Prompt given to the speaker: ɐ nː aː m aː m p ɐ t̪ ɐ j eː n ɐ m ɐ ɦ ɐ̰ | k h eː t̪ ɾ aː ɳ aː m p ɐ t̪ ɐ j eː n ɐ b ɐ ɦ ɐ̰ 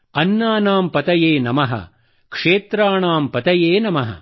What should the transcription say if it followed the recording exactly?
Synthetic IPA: ɐ nː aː n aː m p ɐ t̪ ɐ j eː n ɐ m ɐ ɦ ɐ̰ | k ʂ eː t̪ ɾ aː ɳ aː m p ɐ t̪ ɐ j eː n ɐ m ɐ ɦ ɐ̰

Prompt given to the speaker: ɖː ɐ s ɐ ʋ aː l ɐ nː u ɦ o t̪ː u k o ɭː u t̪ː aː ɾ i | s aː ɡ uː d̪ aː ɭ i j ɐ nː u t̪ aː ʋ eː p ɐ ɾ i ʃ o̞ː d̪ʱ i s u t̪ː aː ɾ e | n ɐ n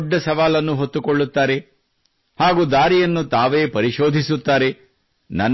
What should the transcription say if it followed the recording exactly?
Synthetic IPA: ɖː ɐ s ɐ ʋ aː l ɐ nː u ɦ o t̪ː u k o ɭː u t̪ː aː ɾ e | h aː ɡ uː d̪ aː ɾ i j ɐ nː u t̪ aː ʋ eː p ɐ ɾ i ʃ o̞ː d̪ʱ i s u t̪ː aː ɾ e | n ɐ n

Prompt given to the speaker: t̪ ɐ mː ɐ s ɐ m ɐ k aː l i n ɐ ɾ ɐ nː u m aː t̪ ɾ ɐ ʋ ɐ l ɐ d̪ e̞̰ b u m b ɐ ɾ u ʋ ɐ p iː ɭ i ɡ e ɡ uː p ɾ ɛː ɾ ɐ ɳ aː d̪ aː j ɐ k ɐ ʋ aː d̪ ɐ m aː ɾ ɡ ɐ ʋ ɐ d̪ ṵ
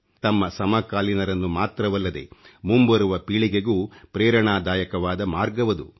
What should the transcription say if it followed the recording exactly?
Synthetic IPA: t̪ ɐ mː ɐ s ɐ m ɐ k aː l i n ɐ ɾ ɐ nː u m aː t̪ ɾ ɐ ʋ ɐ lː ɐ d̪ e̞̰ m u m b ɐ ɾ u ʋ ɐ p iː ɭ i ɡ e ɡ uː p ɾ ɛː ɾ ɐ ɳ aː d̪ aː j ɐ k ɐ ʋ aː d̪ ɐ m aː ɾ ɡ ɐ ʋ ɐ d̪ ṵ

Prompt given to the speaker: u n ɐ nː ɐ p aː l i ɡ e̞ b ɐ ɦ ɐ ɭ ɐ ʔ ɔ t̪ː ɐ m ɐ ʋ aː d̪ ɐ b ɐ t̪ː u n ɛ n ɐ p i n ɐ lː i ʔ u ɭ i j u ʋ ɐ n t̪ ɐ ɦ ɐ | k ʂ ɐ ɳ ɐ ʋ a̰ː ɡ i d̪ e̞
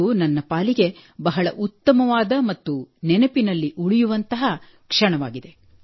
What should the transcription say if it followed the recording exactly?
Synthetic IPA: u n ɐ nː ɐ p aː l i ɡ e̞ b ɐ ɦ ɐ ɭ ɐ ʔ u t̪ː ɐ m ɐ ʋ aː d̪ ɐ m ɐ t̪ː u n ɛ n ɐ p i n ɐ lː i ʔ u ɭ i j u ʋ ɐ n t̪ ɐ ɦ ɐ | k ʂ ɐ ɳ ɐ ʋ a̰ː ɡ i d̪ e̞

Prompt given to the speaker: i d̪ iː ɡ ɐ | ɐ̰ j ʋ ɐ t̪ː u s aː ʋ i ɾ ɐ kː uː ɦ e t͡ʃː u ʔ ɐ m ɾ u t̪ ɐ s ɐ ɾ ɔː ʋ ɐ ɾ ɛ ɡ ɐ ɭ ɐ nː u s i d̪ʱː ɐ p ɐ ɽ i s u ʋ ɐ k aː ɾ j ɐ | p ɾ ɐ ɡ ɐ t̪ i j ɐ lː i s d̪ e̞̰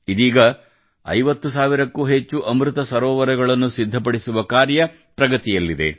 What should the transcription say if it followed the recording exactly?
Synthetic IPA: i d̪ iː ɡ ɐ | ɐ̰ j ʋ ɐ t̪ː u s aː ʋ i ɾ ɐ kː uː ɦ e t͡ʃː u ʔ ɐ m ɾ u t̪ ɐ s ɐ ɾ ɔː ʋ ɐ ɾ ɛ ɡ ɐ ɭ ɐ nː u s i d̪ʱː ɐ p ɐ ɽ i s u ʋ ɐ k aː ɾ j ɐ | p ɾ ɐ ɡ ɐ t̪ i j ɐ lː i d̪ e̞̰

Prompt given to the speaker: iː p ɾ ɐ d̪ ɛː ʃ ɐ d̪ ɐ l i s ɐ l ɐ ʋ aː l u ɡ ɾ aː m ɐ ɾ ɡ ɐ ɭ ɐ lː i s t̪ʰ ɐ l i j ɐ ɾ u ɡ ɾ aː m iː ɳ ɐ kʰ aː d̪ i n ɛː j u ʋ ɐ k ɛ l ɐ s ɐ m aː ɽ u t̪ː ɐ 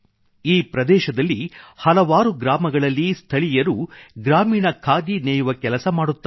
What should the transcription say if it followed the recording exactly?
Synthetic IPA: iː p ɾ ɐ d̪ ɛː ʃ ɐ d̪ ɐ lː i h ɐ l ɐ ʋ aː ɾ u ɡ ɾ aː m ɐ ɡ ɐ ɭ ɐ lː i s t̪ʰ ɐ ɭ i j ɐ ɾ u ɡ ɾ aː m iː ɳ ɐ kʰ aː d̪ i n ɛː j u ʋ ɐ k ɛ l ɐ s ɐ m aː ɽ u t̪ː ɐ

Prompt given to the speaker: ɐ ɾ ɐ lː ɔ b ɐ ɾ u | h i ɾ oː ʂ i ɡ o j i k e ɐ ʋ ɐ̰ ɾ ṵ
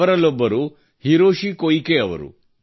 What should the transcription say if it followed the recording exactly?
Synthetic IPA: ɐ ɾ ɐ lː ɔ bː ɐ ɾ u | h i ɾ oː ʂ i k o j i k e ɐ ʋ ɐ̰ ɾ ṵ

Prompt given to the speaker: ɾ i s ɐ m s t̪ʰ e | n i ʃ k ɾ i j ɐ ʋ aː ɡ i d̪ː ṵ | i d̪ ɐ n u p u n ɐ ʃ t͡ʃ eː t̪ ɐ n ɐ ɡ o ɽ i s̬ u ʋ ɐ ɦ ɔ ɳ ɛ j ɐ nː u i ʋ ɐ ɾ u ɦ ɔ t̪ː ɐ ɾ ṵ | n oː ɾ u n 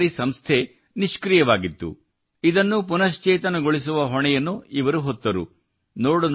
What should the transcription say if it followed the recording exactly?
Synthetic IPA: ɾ i s ɐ m s t̪ʰ e | n i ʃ k ɾ i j ɐ ʋ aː ɡ i t̪ː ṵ | i d̪ ɐ nː u p u n ɐ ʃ t͡ʃ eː t̪ ɐ n ɐ ɡ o ɭ i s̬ u ʋ ɐ ɦ ɔ ɳ ɛ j ɐ nː u i ʋ ɐ ɾ u ɦ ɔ t̪ː ɐ ɾ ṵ | n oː ɽ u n

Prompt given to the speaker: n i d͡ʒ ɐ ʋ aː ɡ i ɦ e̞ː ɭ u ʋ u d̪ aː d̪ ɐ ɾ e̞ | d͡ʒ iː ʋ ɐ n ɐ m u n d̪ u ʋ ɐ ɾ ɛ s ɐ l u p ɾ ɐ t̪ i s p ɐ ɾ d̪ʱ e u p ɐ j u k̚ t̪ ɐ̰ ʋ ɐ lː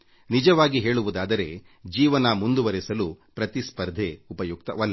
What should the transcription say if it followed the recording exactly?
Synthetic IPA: n i d͡ʒ ɐ ʋ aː ɡ i ɦ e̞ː ɭ u ʋ u d̪ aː d̪ ɐ ɾ e̞ | d͡ʒ iː ʋ ɐ n ɐ m u n d̪ u ʋ ɐ ɾ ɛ s ɐ l u p ɾ ɐ t̪ i s p ɐ ɾ d̪ʱ e u p ɐ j u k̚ t̪ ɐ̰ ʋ ɐ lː

